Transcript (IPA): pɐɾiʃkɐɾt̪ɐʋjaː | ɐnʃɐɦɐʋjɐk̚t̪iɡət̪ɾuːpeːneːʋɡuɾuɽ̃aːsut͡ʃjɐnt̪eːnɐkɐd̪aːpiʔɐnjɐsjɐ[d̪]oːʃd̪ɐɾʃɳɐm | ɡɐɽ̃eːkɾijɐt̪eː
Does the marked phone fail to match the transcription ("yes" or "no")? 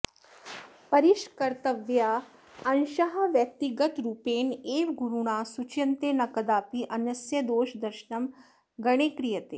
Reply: no